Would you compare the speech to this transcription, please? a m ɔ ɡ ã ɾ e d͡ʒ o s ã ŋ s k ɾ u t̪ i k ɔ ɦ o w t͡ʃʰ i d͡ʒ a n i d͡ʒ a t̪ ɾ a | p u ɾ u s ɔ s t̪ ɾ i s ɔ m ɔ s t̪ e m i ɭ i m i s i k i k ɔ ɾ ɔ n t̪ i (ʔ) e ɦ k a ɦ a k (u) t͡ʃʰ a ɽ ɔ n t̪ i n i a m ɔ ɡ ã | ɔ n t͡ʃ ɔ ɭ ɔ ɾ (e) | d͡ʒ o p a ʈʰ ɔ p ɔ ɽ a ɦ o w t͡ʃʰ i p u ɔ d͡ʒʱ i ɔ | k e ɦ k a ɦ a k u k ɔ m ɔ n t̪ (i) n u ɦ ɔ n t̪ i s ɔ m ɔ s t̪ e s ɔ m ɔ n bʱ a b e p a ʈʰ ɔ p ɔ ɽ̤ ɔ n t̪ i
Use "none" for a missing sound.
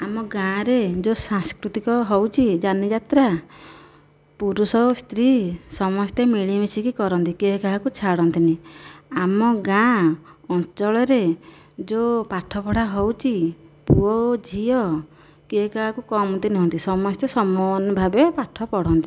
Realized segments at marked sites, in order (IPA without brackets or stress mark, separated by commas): k, u, e, i